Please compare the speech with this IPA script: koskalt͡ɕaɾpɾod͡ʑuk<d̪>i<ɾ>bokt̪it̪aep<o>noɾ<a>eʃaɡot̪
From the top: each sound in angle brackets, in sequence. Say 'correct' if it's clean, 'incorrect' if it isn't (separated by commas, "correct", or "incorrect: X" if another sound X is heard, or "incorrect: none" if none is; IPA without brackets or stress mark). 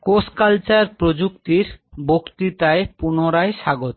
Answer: incorrect: t̪, correct, incorrect: u, correct